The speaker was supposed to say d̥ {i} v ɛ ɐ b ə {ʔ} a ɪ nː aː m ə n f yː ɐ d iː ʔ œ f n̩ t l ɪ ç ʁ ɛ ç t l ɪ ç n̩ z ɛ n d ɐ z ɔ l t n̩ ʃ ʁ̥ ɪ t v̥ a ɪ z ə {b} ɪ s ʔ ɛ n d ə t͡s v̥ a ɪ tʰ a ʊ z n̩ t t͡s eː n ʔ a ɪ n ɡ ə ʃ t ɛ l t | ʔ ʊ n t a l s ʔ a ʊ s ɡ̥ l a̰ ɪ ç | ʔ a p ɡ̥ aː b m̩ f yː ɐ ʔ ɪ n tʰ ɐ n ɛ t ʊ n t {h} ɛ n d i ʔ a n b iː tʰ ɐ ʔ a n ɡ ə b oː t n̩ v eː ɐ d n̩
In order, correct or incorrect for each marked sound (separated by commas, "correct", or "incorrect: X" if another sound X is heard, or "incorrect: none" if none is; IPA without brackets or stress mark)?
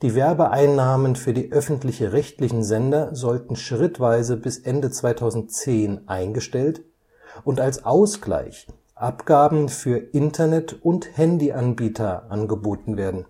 incorrect: iː, correct, correct, correct